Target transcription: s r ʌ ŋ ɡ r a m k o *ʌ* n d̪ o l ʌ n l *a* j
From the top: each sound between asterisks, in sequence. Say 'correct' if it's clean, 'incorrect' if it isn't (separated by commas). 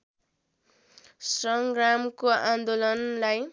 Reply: incorrect, correct